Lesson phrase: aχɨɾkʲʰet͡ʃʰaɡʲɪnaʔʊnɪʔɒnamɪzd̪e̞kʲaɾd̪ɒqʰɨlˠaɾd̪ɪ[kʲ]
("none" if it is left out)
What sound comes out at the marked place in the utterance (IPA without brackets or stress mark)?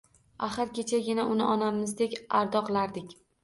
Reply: kʲ